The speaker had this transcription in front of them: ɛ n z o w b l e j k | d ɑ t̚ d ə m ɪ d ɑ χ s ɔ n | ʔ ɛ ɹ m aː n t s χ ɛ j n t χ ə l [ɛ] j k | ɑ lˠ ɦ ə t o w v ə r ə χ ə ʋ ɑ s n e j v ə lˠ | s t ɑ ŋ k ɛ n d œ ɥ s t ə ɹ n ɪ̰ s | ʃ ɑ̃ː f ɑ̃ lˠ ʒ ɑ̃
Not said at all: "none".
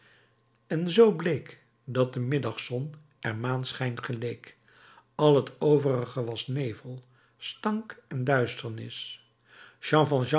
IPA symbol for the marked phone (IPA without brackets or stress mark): e